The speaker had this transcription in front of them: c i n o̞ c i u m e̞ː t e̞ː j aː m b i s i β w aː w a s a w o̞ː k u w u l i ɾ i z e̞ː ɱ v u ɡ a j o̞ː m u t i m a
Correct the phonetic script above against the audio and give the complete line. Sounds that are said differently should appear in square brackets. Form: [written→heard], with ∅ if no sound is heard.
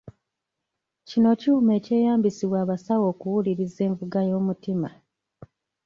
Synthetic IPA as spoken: c i n o̞ c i u m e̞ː [t→c] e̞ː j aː m b i s i β w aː [w→β] a s a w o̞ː k u w u l i ɾ i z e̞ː ɱ v u ɡ a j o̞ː m u t i m a